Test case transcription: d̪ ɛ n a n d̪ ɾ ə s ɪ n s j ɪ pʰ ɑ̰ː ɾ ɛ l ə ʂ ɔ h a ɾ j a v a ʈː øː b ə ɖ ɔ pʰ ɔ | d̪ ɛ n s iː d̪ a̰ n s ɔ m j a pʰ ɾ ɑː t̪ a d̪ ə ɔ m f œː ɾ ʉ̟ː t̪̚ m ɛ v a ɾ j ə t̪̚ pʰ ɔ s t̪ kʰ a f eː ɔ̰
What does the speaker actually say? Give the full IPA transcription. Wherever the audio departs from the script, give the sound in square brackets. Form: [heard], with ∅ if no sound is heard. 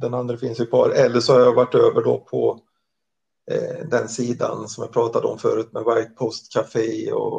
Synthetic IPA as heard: d̪ ɛ n a n d̪ ɾ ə [f] ɪ n s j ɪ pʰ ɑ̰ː ɾ ɛ [lː] ə ʂ ɔ h a ɾ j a v a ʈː øː [v] ə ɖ ɔ pʰ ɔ | d̪ ɛ n s iː d̪ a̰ n s ɔ m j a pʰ ɾ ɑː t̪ a d̪ ə ɔ m f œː ɾ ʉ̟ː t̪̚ m ɛ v a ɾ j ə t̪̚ pʰ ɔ s t̪ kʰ a f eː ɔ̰